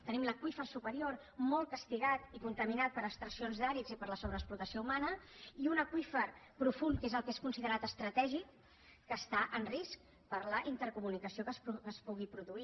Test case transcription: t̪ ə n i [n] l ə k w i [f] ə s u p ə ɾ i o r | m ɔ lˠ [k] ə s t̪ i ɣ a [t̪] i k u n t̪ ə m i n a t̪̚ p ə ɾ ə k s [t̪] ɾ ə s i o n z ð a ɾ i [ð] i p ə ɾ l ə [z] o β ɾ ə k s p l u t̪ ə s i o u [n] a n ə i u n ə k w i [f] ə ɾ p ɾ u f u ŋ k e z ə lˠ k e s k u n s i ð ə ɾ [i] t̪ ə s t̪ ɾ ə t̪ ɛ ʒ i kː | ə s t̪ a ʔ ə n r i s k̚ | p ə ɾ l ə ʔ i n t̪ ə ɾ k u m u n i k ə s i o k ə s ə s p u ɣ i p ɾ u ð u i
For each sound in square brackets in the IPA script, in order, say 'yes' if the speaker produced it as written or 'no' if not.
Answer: no, yes, yes, yes, yes, no, no, no, yes, no

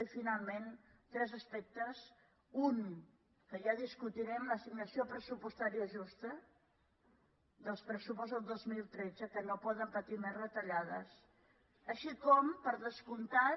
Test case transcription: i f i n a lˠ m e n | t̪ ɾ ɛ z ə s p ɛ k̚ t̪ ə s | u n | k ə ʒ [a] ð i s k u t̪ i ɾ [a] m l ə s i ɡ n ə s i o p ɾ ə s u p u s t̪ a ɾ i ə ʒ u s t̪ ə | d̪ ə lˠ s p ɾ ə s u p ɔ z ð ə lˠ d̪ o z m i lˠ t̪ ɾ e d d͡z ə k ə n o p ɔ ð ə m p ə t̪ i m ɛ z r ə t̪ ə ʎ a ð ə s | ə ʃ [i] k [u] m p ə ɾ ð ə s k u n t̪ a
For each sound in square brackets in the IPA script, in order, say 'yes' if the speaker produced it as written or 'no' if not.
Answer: yes, no, yes, no

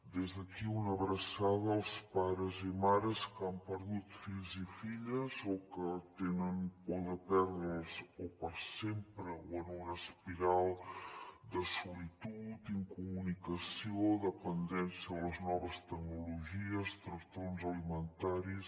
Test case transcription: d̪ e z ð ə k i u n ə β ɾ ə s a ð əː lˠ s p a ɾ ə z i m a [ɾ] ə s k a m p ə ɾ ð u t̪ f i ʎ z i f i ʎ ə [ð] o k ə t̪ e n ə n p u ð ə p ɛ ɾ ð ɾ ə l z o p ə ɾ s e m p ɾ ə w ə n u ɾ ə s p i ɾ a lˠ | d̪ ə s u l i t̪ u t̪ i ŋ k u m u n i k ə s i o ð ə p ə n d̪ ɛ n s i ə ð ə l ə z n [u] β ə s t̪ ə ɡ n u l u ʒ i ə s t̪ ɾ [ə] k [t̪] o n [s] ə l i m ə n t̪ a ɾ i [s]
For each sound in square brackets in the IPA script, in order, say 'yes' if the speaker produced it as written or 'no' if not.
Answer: yes, no, no, yes, yes, no, yes

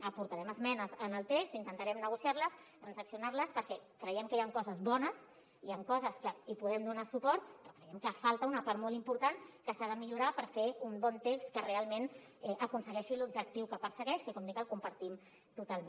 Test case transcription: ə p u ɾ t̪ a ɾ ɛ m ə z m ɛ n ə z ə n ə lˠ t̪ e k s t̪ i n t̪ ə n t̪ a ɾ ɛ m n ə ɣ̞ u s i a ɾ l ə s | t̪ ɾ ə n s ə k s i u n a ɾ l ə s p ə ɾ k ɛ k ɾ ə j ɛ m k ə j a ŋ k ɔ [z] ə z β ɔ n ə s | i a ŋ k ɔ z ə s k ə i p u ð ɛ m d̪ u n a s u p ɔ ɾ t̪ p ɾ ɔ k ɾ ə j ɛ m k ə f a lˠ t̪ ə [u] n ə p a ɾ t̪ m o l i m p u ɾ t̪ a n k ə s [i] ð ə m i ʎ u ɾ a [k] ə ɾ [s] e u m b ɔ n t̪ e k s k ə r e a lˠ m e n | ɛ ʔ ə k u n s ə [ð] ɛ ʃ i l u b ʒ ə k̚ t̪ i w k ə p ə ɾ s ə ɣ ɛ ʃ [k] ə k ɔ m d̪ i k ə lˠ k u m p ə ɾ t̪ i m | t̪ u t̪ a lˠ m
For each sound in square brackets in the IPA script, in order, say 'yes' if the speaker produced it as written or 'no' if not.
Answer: yes, yes, no, no, no, no, yes

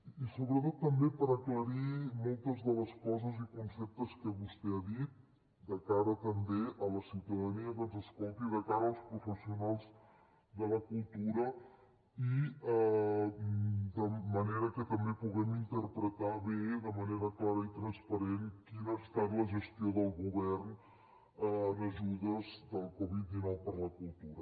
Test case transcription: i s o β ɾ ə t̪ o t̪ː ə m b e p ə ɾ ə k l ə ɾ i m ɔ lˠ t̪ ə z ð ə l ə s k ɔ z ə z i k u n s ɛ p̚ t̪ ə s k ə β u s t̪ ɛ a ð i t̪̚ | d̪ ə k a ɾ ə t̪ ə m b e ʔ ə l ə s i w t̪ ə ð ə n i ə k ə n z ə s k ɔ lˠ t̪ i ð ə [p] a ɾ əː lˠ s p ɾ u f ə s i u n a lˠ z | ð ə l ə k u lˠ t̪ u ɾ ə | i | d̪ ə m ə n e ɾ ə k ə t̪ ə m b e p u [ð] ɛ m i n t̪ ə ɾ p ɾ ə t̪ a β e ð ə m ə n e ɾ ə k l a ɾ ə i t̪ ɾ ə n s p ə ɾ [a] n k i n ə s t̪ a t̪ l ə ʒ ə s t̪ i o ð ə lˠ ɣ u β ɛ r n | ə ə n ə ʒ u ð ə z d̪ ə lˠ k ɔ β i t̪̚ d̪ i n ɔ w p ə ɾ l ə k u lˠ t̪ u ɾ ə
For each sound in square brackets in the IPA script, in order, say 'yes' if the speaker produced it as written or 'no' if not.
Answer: no, no, no

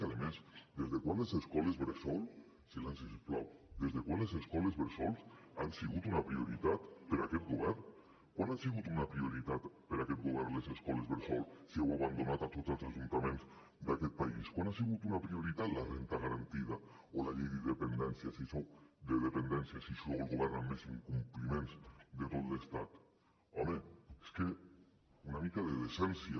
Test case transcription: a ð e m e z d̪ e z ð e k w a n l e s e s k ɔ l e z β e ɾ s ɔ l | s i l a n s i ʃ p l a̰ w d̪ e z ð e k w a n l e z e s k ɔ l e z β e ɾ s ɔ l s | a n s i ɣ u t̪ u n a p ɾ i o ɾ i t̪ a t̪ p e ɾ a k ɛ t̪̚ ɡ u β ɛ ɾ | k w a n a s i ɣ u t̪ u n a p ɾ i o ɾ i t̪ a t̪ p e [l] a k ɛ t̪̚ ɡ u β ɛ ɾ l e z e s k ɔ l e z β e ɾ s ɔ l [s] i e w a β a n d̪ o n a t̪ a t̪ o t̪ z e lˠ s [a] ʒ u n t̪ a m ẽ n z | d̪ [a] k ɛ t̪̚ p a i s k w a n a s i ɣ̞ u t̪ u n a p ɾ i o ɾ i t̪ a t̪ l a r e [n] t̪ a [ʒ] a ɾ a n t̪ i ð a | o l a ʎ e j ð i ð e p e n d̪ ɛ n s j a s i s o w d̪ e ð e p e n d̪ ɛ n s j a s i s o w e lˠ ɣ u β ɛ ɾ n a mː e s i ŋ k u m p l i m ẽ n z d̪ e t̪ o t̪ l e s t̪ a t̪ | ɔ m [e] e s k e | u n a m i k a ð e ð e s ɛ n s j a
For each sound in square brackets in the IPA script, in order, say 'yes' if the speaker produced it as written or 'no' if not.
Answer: no, yes, yes, yes, yes, no, yes

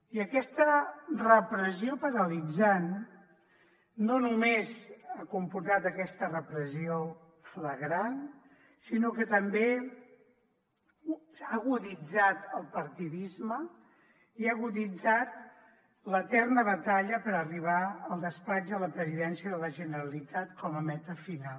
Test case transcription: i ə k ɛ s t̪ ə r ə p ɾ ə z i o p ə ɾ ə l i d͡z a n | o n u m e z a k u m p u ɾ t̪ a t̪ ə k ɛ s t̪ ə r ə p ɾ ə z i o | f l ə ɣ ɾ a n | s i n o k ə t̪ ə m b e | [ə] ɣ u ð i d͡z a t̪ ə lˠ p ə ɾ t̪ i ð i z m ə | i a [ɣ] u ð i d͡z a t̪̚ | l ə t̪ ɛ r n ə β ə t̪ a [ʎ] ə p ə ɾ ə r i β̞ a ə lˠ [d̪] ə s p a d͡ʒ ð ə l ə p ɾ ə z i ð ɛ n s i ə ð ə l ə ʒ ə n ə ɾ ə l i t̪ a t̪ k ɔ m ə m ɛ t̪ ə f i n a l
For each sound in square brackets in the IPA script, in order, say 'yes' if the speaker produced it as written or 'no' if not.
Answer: no, yes, yes, yes

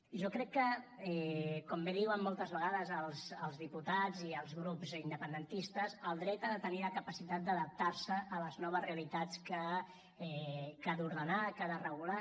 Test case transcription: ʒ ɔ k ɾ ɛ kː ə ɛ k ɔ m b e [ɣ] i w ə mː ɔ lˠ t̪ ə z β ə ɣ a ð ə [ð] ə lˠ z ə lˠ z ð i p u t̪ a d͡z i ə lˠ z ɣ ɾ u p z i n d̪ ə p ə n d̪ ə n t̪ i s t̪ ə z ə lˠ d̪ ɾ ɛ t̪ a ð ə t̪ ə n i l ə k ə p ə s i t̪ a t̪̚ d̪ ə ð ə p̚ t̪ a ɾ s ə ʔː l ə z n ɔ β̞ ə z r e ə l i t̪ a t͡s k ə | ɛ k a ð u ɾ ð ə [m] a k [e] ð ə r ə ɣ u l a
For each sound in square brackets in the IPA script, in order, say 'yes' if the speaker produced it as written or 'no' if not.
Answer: no, no, no, no

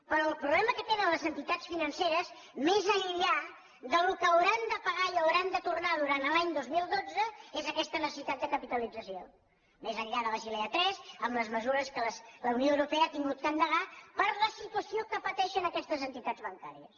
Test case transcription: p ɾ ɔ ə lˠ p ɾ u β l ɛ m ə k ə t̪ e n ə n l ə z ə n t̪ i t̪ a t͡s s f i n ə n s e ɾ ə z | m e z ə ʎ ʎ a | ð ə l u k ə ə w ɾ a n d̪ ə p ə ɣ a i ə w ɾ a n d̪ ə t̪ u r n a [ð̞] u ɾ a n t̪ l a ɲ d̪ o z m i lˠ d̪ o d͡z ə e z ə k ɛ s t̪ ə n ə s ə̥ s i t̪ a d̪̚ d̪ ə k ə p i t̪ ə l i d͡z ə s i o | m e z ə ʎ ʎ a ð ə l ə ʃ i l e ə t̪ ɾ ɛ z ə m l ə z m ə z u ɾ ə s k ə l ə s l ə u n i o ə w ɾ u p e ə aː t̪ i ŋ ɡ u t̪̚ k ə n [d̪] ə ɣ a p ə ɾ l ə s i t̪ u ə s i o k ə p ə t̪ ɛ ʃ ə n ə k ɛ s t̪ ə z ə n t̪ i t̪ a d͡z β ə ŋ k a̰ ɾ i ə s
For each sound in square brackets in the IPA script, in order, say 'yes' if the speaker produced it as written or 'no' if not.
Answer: yes, yes

